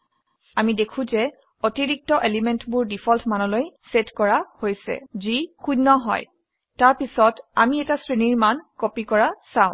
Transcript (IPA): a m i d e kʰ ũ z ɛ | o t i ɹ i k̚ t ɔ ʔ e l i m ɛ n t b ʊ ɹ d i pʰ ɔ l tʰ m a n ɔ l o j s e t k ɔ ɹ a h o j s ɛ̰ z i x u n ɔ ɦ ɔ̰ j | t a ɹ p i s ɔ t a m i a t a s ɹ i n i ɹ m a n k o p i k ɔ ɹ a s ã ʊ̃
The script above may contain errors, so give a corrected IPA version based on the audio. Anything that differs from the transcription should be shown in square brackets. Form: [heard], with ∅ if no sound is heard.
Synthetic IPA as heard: a m i d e kʰ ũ z ɛ | o t i ɹ i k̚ t ɔ ʔ e l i m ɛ n t b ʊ ɹ d i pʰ ɔ l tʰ m a n ɔ l o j s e t k ɔ ɹ a h o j s ɛ̰ z i x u n ɔ ɦ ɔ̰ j | t a ɹ p i s ɔ t a m i [ɛ] t a s ɹ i n i ɹ m a n k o p i k ɔ ɹ a s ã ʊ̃